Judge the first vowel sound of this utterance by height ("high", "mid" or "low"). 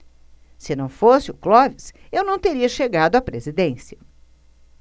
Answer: high